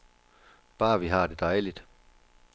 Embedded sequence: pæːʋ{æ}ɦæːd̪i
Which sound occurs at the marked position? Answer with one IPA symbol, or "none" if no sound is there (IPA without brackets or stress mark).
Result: i